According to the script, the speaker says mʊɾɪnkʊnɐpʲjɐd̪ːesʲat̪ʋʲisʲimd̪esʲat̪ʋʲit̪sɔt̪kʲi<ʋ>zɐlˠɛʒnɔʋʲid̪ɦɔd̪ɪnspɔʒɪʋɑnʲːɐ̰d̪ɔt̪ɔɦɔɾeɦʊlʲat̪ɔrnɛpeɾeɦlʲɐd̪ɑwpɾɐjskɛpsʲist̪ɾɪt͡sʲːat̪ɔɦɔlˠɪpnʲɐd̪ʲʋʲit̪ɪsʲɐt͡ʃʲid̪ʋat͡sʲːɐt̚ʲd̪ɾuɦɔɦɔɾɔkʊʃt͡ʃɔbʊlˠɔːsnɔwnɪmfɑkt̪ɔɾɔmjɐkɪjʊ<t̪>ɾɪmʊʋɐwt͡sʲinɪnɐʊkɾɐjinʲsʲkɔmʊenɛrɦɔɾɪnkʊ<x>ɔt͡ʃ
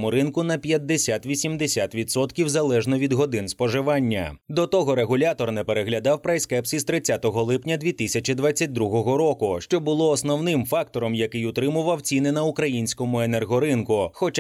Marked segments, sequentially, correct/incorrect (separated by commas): incorrect, correct, correct